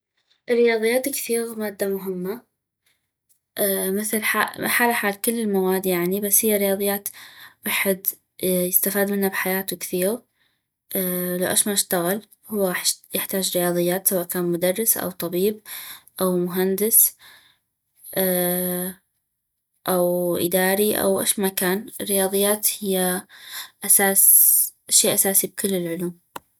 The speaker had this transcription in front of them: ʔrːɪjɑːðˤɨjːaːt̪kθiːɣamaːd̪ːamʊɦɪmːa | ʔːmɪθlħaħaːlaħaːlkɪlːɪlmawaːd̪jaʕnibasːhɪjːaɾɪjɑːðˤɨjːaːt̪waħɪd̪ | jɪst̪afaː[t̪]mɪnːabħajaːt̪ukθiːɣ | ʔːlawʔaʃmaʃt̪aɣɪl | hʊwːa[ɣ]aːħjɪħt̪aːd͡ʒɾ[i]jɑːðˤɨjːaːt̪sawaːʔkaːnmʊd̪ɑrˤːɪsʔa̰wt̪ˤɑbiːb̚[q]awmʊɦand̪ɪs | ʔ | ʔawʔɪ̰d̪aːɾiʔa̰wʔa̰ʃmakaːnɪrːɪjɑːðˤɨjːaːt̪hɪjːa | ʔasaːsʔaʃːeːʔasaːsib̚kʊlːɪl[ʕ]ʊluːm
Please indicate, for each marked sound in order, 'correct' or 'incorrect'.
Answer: incorrect, correct, incorrect, incorrect, correct

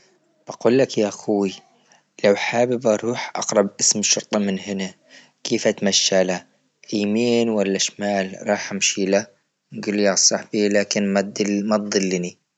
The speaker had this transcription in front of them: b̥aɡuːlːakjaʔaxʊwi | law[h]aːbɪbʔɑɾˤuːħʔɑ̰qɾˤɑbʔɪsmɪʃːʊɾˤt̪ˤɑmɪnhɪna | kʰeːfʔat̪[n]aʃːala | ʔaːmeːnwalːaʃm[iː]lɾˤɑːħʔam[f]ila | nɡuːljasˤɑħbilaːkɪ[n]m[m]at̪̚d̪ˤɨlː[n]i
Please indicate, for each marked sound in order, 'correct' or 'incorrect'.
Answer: incorrect, incorrect, incorrect, incorrect, correct, correct, correct

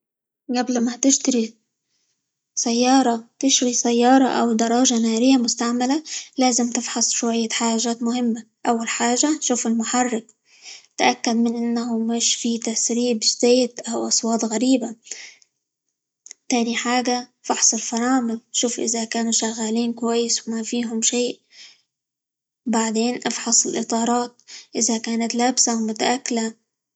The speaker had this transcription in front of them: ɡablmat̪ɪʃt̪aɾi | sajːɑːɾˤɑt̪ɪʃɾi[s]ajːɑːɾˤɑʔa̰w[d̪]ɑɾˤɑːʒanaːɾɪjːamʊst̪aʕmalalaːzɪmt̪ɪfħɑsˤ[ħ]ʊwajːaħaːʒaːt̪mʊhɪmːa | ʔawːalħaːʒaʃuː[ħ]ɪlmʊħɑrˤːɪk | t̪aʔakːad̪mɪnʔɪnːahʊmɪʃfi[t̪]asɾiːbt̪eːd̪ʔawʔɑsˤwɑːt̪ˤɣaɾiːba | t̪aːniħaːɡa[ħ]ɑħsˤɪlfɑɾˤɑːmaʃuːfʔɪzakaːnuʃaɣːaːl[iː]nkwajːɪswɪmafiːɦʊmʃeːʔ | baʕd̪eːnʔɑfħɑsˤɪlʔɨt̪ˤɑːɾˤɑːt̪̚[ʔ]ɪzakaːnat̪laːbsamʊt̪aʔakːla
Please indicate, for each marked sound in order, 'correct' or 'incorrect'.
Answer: correct, correct, incorrect, incorrect, correct, incorrect, correct, correct

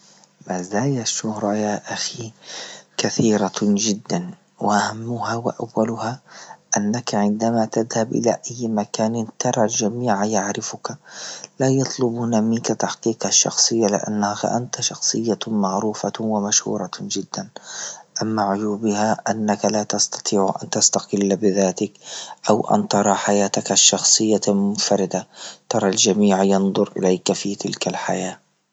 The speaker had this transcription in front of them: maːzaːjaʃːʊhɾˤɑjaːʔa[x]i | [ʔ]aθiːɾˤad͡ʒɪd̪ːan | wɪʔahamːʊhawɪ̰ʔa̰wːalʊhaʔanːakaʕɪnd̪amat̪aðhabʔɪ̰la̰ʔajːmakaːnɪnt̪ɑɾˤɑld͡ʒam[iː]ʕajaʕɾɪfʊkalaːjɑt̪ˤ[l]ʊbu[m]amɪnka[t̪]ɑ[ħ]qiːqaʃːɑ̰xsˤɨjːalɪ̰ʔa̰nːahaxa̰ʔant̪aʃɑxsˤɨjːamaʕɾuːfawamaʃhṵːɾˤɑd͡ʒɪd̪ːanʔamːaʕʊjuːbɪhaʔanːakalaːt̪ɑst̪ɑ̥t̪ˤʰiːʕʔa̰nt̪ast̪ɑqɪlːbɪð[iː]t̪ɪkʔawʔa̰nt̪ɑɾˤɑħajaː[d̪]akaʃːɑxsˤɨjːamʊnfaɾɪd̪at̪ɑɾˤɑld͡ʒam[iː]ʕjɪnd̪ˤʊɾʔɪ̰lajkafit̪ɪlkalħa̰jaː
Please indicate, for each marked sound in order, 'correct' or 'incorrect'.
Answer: correct, incorrect, correct, correct, incorrect, correct, correct, incorrect, incorrect, correct

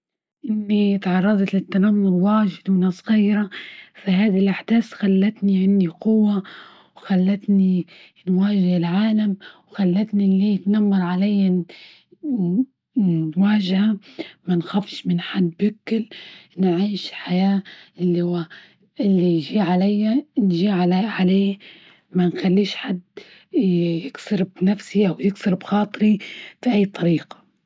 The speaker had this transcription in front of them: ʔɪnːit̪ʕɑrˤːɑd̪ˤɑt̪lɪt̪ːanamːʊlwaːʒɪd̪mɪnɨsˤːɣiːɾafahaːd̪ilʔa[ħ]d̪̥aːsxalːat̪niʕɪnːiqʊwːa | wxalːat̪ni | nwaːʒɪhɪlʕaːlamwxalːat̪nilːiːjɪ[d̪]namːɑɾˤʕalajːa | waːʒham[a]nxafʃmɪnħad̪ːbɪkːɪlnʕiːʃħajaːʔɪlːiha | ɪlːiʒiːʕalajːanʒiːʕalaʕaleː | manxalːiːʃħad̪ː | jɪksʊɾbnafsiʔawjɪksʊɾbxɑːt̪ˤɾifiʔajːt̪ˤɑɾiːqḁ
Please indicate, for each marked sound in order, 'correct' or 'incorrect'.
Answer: correct, incorrect, correct

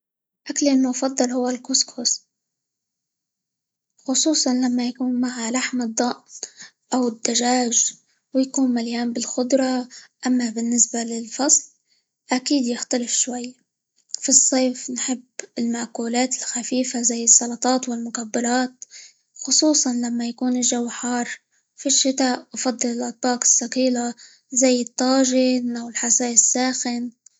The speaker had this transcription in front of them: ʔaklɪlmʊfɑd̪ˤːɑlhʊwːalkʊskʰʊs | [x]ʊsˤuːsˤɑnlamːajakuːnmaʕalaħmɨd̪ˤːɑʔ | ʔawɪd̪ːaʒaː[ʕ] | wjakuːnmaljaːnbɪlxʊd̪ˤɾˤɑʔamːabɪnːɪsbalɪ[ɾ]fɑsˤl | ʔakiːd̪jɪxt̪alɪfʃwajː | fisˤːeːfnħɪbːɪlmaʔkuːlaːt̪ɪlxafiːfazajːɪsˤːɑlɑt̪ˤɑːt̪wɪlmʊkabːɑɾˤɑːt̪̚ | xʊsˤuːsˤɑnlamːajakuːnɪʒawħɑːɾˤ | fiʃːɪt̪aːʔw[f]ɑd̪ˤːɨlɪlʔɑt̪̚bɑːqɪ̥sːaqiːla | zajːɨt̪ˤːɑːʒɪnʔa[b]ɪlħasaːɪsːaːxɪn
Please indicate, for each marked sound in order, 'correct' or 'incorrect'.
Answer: correct, incorrect, incorrect, correct, incorrect

